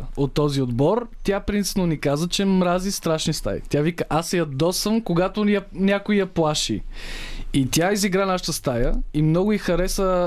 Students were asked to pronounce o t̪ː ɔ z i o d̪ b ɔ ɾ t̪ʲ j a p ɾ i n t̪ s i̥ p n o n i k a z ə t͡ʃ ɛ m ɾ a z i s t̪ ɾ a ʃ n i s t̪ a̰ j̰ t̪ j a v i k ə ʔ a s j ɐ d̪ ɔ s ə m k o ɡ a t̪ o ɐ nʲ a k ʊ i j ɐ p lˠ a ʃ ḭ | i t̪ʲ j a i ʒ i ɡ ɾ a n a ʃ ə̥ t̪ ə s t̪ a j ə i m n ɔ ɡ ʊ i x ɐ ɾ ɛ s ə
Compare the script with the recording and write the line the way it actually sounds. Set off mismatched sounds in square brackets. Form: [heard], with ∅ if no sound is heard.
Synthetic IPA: o t̪ː ɔ z i o d̪ b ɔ ɾ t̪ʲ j a p ɾ i n t̪ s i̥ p n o n i k a z ə t͡ʃ ɛ m ɾ a z i s t̪ ɾ a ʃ n i s t̪ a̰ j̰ t̪ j a v i k ə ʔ a s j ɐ d̪ ɔ s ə m k o ɡ a t̪ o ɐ nʲ a k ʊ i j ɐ p lˠ a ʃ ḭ | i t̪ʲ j a i [z] i ɡ ɾ a n a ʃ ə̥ t̪ ə s t̪ a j ə i m n ɔ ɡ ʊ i x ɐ ɾ ɛ s ə